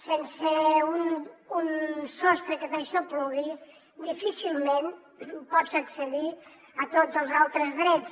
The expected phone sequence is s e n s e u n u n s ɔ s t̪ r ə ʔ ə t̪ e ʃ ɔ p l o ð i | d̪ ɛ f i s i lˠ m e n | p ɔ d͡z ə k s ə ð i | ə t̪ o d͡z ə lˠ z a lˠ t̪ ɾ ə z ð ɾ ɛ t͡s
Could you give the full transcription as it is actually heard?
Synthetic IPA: s e n s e u n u n s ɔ s t̪ ɾ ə k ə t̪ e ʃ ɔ p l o ð i | d̪ i f i s i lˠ m e n | p ɔ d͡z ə k s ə ð i | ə t̪ o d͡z ə lˠ z a lˠ t̪ ɾ ə z ð ɾ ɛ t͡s